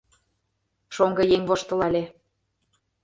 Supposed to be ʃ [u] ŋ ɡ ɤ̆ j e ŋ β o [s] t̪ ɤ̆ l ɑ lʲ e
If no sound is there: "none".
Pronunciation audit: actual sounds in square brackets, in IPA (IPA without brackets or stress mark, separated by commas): o, ʃ